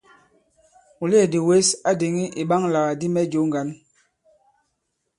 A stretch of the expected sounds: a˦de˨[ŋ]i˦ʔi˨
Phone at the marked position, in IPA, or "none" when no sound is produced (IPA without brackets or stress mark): ŋ